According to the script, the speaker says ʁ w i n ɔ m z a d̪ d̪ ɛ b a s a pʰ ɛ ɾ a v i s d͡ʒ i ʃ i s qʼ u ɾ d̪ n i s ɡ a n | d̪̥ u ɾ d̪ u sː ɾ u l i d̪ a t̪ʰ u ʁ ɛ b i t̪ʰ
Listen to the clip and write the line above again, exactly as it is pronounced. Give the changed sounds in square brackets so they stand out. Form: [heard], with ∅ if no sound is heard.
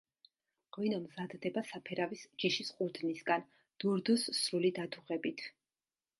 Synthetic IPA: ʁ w i n ɔ m z a d̪ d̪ ɛ b a s a pʰ ɛ ɾ a v i s d͡ʒ i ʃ i s qʼ u ɾ d̪ n i s ɡ a n | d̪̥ u ɾ d̪ u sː ɾ u l i d̪ a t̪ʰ u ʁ ɛ b i t̪ʰ